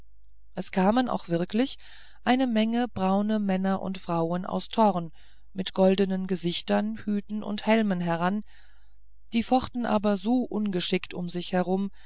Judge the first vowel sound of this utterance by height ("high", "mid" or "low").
mid